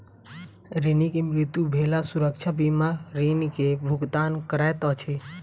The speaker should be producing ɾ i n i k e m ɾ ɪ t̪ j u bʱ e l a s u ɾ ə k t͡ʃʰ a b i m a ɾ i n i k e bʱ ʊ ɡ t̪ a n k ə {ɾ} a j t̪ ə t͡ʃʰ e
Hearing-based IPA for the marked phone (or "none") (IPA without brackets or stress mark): ɾ